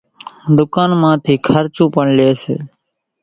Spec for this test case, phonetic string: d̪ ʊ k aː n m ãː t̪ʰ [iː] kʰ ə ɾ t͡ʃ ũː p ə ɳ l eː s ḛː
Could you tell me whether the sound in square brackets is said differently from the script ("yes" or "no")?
no